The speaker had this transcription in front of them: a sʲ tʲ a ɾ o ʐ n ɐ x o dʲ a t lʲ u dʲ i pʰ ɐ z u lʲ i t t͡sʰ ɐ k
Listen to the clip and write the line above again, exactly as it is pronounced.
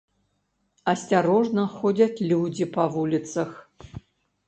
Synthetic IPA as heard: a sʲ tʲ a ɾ o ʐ n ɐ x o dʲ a t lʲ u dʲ i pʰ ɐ v u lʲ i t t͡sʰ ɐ x